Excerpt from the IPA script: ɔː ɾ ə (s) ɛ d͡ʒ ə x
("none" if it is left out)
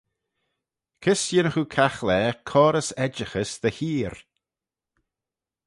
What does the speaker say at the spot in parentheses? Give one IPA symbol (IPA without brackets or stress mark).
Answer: s